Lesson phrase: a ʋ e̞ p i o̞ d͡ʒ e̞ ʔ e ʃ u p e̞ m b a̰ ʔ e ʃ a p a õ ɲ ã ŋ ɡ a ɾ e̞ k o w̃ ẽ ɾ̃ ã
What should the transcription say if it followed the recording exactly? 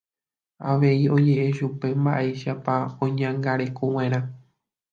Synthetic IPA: a ʋ e̞ i o̞ d͡ʒ e̞ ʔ e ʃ u p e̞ m b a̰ ʔ e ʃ a p a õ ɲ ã ŋ ɡ a ɾ e̞ k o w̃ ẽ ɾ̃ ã